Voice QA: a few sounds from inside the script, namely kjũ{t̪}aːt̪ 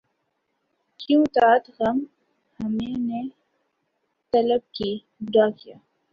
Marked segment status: correct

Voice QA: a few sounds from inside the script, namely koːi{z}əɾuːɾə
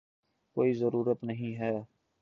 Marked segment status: correct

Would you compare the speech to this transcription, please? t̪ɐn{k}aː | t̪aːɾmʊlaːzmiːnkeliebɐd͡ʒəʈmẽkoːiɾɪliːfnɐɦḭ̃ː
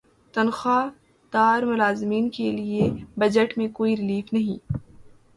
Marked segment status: incorrect: x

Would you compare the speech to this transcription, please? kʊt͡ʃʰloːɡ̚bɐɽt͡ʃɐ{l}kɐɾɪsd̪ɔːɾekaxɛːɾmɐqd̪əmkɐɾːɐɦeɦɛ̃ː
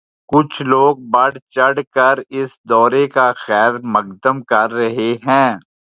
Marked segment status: incorrect: ɽ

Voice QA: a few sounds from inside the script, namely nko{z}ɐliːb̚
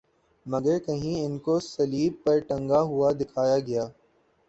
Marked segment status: incorrect: s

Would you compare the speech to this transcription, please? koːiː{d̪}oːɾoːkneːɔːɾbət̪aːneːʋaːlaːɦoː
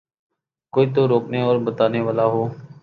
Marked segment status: incorrect: t̪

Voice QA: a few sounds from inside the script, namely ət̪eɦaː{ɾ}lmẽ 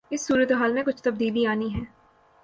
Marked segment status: incorrect: none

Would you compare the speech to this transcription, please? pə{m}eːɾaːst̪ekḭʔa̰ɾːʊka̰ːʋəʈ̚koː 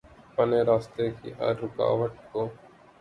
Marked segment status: incorrect: n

